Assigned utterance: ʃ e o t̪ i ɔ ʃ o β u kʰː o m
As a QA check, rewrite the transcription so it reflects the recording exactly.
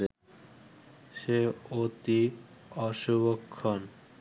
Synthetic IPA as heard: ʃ e o t̪ i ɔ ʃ u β o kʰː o n